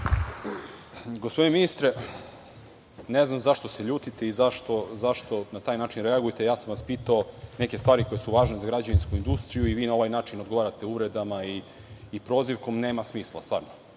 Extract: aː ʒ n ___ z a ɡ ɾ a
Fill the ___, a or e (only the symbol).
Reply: e